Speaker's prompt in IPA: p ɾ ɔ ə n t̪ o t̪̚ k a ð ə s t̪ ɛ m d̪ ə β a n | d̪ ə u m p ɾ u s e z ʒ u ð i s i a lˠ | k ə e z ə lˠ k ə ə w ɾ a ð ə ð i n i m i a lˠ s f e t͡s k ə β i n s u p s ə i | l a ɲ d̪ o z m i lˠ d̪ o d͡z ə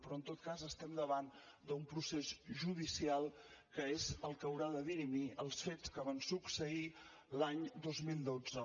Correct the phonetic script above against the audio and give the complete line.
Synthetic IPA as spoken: p ɾ ɔ ə n t̪ o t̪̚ k a z ə s t̪ ɛ m d̪ ə β a n | d̪ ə u m p ɾ u s e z ʒ u ð i s i a lˠ | k ə e z ə lˠ k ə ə w ɾ a ð ə ð i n i m i ə lˠ s f e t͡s k ə β a n s u k s ə i | l a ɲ d̪ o z m i lˠ d̪ o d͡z ə

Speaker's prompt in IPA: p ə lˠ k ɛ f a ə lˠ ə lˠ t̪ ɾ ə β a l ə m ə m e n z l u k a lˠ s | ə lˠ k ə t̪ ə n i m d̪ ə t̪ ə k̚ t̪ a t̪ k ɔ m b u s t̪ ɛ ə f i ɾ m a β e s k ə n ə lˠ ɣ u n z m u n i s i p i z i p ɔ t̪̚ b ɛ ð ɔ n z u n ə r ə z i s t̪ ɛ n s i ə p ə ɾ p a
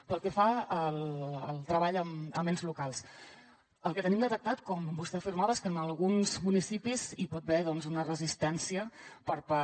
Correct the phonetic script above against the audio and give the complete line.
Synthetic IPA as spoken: p ə lˠ k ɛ f a ə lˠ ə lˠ t̪ ɾ ə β a ʎ ə m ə m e n z l u k a lˠ s | ə lˠ k ə t̪ ə n i m d̪ ə t̪ ə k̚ t̪ a t̪ k ɔ m b u s t̪ ɛ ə f i ɾ m a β e s k ə n ə lˠ ɣ u n z m u n i s i p i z i p ɔ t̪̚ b ɛ ð ɔ n z u n ə r ə z i s t̪ ɛ n s i ə p ə ɾ p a

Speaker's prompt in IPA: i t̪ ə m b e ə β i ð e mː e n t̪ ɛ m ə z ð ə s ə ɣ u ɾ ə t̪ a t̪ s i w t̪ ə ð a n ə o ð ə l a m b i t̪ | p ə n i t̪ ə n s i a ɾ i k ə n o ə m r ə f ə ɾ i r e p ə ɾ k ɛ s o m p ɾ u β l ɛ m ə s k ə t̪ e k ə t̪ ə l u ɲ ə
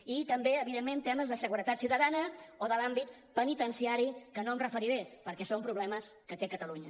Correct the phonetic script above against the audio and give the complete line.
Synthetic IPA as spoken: i t̪ ə m b e ə β i ð e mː e n t̪ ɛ m ə z ð ə s ə ɣ u ɾ ə t̪ a t̪ s i w t̪ ə ð a n ə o ð ə l a m b i t̪ | p ə n i t̪ ə n s i a ɾ i k ə n o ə m r ə f ə ɾ i ɾ e p ə ɾ k ɛ s o m p ɾ u β l ɛ m ə s k ə t̪ e k ə t̪ ə l u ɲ ə

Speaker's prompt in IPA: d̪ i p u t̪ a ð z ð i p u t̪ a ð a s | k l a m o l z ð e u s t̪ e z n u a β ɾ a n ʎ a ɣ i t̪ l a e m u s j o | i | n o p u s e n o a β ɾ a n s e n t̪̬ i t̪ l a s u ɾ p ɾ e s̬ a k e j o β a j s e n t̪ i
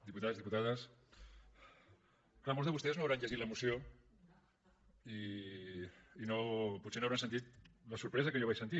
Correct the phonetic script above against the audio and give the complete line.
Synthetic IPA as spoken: d̪ i p u t̪ a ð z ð i p u t̪ a ð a s | k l a m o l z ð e u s t̪ e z n o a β ɾ a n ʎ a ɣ i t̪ l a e m u s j o | i | n o p u s e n o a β ɾ a n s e n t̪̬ i t̪ l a s u ɾ p ɾ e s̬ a k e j o β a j s e n t̪ i

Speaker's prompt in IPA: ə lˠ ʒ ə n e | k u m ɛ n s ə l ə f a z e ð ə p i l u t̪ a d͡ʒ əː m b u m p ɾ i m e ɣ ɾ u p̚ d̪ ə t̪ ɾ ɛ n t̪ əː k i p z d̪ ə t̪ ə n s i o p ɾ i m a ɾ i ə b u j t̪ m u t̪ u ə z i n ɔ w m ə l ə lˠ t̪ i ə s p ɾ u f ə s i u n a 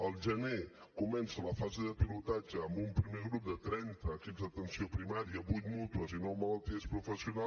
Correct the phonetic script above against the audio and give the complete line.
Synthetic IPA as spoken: ə lˠ ʒ ə n e | k u m ɛ n s ə l ə f a z e ð ə p i l u t̪ a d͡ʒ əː m b u m p ɾ i m e ɣ ɾ u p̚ d̪ ə t̪ ɾ ɛ n t̪ əː k i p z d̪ ə t̪ ə n s i o p ɾ i m a ɾ i ə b u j t̪ m u t̪ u ə z i n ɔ w m ə l ə lˠ t̪ i ə s p ɾ u f ə s i u n a

